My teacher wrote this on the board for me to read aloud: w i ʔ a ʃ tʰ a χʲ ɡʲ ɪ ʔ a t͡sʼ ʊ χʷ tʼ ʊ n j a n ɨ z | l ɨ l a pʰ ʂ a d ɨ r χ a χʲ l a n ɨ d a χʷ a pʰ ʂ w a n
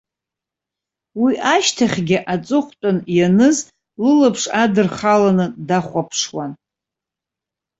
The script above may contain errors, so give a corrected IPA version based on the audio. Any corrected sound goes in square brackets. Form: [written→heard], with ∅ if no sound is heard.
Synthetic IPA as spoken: w i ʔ a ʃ tʰ a χʲ ɡʲ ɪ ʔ a t͡sʼ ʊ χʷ tʼ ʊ n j a n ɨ z | l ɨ l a pʰ ʂ a d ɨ r χ a [χʲ→∅] l a n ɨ d a χʷ a pʰ ʂ w a n